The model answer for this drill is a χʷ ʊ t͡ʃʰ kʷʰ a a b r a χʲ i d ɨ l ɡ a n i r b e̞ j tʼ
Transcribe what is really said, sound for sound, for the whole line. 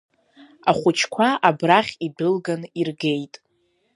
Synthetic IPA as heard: a χʷ ʊ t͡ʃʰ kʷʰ a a b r a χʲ i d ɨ l ɡ a n i r ɡ e̞ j tʼ